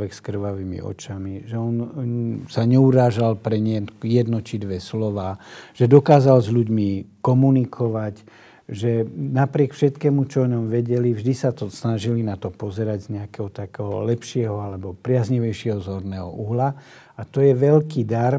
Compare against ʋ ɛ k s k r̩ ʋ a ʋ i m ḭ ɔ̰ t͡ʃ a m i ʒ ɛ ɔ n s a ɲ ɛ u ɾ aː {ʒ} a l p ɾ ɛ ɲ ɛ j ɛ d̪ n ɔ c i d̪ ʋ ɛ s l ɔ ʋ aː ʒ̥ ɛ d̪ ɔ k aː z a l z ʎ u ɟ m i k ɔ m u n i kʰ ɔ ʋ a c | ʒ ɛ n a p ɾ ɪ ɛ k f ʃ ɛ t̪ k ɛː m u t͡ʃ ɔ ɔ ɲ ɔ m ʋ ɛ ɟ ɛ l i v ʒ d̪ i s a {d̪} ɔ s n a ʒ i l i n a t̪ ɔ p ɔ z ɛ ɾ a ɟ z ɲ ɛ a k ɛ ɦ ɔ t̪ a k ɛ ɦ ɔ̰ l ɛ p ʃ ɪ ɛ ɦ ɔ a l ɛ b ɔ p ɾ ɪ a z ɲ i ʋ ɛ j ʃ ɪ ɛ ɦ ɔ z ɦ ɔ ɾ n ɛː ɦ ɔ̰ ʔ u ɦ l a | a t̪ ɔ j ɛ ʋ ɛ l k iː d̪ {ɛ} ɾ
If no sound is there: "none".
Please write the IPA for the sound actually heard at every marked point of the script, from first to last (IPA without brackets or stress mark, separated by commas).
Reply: ʒ, t̪, a